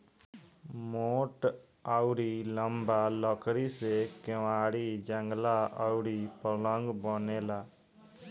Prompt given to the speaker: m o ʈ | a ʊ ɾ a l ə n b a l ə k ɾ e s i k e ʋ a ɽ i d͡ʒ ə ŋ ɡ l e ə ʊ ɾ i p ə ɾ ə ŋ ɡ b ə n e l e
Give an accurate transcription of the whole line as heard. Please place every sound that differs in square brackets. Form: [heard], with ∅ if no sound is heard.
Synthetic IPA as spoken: m o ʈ | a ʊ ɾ [i] l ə [m] b a l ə k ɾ [i] s [e] k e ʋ a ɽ i d͡ʒ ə ŋ ɡ l [a] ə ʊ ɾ i p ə [l] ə ŋ ɡ b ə n e l [a]